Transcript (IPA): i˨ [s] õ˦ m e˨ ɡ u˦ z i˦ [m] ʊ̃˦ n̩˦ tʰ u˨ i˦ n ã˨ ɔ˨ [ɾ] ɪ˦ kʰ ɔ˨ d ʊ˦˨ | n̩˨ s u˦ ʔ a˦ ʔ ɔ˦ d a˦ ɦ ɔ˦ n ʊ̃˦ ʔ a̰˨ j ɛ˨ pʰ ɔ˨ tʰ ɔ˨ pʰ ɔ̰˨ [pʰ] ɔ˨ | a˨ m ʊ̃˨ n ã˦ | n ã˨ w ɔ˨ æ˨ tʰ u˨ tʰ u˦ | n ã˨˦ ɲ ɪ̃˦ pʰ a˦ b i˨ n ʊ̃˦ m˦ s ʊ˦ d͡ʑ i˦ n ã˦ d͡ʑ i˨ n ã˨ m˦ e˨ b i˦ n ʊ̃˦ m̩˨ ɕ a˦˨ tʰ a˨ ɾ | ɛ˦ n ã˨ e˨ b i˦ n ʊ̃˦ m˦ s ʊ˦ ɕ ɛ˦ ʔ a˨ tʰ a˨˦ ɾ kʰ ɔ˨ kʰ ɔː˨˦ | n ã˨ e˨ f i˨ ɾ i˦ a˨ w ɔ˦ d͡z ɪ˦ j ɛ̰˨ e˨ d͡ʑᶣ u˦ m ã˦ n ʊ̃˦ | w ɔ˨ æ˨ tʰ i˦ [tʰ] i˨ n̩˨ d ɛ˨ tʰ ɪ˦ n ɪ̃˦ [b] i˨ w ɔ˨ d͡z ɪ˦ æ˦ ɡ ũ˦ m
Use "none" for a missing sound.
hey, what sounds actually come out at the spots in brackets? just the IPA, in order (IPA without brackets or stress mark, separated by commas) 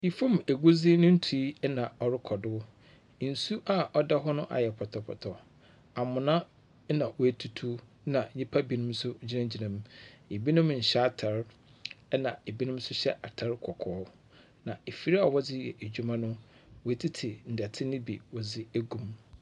f, n, ɾ, tʰ, tʰ, b